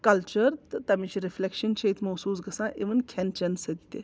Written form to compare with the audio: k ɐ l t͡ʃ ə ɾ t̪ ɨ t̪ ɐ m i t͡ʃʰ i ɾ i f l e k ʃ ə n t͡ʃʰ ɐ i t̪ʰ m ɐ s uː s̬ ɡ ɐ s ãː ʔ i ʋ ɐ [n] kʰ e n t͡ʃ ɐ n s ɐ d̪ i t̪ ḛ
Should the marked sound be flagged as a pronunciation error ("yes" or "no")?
no